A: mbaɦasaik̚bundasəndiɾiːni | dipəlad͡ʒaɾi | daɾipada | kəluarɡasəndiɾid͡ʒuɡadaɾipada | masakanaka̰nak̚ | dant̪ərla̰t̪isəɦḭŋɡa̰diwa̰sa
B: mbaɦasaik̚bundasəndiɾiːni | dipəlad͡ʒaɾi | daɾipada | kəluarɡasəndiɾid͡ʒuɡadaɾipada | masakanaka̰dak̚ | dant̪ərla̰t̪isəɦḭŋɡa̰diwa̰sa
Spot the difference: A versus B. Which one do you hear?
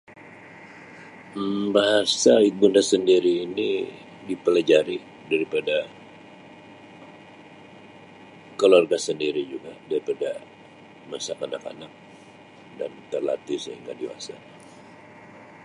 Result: A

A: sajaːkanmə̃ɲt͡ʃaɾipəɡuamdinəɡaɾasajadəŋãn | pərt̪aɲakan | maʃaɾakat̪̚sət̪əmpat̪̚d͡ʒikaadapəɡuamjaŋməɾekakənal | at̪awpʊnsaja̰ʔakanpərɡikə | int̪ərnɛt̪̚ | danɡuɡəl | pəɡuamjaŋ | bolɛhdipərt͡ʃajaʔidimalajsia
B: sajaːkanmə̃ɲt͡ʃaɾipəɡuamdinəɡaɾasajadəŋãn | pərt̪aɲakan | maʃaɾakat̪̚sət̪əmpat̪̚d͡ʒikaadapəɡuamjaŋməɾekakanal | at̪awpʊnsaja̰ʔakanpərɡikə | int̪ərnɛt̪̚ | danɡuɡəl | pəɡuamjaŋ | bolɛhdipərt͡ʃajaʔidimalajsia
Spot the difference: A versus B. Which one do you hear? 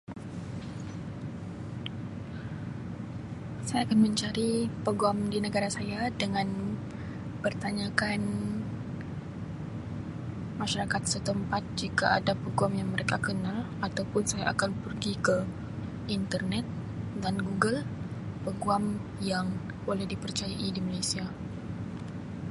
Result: A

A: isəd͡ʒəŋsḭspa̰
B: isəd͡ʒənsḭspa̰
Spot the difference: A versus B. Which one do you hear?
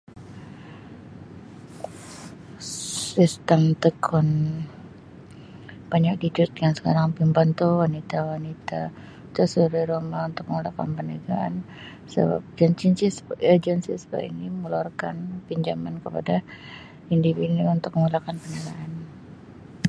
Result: B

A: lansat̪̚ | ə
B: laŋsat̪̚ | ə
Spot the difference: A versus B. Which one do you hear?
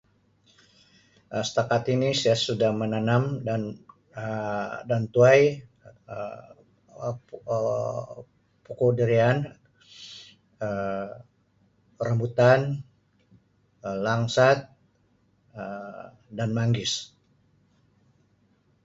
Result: B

